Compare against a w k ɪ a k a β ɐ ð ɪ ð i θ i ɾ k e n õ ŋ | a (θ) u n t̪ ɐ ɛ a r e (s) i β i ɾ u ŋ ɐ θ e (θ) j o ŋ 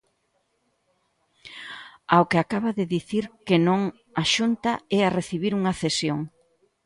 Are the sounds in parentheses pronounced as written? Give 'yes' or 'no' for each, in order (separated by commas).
no, no, no